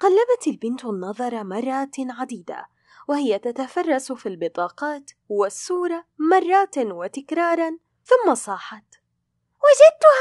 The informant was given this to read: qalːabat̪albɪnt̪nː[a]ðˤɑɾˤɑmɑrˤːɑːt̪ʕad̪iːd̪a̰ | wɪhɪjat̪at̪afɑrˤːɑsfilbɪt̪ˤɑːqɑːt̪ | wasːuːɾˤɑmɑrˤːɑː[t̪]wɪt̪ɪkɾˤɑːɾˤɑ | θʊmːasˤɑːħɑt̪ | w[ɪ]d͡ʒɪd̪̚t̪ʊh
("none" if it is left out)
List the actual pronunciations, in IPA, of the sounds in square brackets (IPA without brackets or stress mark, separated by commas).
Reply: ɑ, t̪, ɪ